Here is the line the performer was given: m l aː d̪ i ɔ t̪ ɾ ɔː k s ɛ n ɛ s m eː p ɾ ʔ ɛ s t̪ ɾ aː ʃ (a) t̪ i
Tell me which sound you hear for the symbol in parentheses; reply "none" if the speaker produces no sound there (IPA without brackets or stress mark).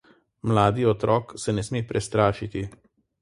i